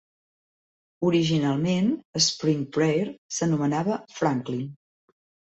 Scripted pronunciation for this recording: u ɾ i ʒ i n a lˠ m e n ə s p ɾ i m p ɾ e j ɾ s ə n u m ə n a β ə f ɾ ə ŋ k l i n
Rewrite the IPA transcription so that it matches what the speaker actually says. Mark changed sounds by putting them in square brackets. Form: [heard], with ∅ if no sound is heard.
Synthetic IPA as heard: u ɾ i ʒ i n a lˠ m e n ə s p ɾ i [ŋ] p ɾ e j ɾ s ə n u m ə n a β ə f ɾ [a] ŋ k l i n